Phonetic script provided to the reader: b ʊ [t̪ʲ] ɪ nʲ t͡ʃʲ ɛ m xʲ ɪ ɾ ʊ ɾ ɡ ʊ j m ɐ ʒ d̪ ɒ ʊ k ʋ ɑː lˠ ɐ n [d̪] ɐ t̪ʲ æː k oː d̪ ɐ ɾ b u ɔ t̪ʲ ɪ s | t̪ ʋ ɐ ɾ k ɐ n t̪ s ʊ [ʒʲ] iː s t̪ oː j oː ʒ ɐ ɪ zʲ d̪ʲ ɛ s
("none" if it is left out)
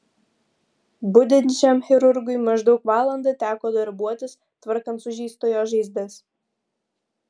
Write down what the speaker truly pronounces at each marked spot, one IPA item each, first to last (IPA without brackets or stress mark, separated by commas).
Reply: d̪ʲ, d̪, ʒʲ